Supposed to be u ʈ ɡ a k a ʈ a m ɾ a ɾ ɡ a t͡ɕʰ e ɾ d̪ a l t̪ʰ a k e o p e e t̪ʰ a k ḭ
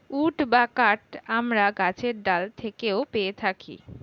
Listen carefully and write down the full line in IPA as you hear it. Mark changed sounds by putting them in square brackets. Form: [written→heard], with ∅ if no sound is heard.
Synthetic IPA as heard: u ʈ [ɡ→b] a k a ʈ a m ɾ a [ɾ→∅] ɡ a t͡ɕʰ e ɾ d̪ a l t̪ʰ [a→e] k e o p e e t̪ʰ a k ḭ